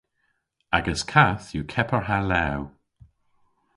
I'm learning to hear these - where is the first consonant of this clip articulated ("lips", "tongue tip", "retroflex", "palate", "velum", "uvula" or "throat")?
velum